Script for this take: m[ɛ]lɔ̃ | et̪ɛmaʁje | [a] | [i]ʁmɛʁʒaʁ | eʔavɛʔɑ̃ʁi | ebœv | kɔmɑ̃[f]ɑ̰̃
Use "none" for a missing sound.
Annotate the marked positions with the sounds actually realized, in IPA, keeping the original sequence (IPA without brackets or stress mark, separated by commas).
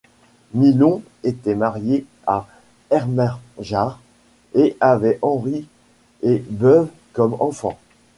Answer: i, a, ɛ, f